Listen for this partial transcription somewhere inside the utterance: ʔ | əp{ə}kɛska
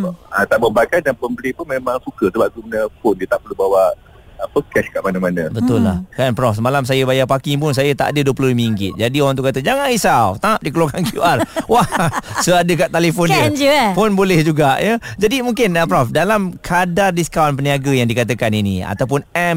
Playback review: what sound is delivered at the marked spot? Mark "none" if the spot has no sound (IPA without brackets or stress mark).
ə